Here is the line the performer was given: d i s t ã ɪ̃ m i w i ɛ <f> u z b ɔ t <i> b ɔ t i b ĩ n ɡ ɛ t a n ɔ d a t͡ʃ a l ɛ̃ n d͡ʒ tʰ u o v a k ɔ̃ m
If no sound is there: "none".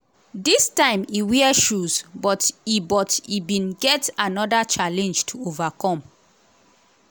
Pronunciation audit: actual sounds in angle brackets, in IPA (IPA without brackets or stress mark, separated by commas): ʃ, i